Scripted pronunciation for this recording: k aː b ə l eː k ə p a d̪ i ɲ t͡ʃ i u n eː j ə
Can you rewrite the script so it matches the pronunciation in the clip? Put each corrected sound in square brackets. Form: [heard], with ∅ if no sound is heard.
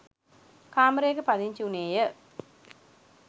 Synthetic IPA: k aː [m] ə [ɾ] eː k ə p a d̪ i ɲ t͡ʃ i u n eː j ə